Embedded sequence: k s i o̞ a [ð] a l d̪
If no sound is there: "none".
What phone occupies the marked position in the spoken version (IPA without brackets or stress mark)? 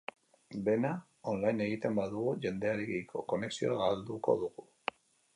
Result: ɣ